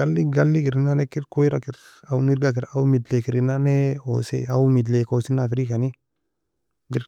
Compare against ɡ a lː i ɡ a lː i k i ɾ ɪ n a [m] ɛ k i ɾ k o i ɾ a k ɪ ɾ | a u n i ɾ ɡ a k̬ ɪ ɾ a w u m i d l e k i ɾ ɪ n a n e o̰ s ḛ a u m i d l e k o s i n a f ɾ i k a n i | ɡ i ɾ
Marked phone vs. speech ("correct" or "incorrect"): incorrect